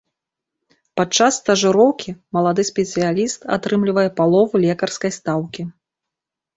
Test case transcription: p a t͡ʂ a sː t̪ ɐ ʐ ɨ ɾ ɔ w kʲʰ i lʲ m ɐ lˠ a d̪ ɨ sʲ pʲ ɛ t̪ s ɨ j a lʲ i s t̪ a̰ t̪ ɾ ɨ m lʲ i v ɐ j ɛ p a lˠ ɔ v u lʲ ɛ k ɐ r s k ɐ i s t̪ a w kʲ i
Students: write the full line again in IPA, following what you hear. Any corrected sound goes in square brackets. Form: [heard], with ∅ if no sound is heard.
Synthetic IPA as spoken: p a t͡ʂ a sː t̪ ɐ ʐ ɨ ɾ ɔ w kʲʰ i [∅] m ɐ lˠ a d̪ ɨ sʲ pʲ ɛ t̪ s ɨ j a lʲ i s t̪ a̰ t̪ ɾ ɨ m lʲ i v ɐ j ɛ p a lˠ ɔ v u lʲ ɛ k ɐ r s k ɐ [j] s t̪ a w kʲ i